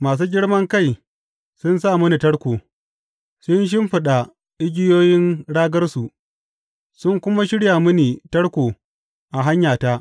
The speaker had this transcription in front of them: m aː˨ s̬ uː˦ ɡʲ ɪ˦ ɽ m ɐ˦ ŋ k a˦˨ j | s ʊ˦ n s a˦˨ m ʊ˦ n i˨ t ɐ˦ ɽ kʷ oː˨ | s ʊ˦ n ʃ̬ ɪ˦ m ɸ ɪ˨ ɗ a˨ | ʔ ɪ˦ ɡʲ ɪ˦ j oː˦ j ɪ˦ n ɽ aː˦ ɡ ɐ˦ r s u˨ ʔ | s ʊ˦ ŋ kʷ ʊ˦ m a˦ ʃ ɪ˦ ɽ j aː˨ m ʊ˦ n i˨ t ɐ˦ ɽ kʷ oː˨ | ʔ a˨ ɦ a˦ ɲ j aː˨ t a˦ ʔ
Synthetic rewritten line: m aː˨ s̬ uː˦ ɡʲ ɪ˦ ɽ m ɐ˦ ŋ k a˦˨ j | s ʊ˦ n s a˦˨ m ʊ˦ n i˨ t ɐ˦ ɽ kʷ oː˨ | s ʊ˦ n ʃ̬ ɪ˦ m ɸ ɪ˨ ɗ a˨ | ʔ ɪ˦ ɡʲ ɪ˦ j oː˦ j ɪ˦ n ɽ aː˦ ɡ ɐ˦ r s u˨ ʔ | s ʊ˦ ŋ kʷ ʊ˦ m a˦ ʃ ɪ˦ ɽ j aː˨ m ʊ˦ n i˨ t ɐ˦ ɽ kʷ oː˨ | ʔ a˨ ɦ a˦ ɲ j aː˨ t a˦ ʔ